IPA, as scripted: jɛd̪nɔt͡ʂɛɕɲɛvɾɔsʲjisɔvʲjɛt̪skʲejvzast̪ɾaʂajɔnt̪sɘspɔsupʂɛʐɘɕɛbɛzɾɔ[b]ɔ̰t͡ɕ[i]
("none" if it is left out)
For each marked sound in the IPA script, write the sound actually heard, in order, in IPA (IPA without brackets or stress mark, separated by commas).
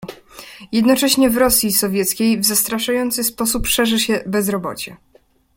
b, ɛ